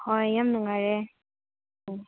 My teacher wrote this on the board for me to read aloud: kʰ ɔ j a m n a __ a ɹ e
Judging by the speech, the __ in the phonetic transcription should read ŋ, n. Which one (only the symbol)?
ŋ